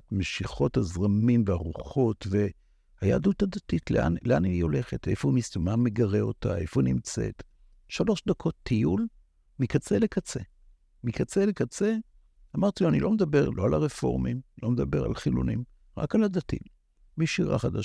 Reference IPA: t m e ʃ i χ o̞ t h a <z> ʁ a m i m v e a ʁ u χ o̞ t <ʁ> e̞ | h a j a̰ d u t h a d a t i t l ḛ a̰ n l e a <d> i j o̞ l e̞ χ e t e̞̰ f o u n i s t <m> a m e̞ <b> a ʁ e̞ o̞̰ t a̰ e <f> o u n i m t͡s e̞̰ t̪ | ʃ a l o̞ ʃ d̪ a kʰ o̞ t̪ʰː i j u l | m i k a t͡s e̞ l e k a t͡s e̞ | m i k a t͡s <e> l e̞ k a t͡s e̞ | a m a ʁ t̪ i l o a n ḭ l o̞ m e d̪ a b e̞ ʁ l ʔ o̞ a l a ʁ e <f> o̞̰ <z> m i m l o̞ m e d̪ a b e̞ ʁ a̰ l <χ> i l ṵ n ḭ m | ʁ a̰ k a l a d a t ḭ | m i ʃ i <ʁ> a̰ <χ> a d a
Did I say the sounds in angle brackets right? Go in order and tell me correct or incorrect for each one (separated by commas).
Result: correct, incorrect, incorrect, correct, incorrect, correct, correct, correct, incorrect, correct, correct, correct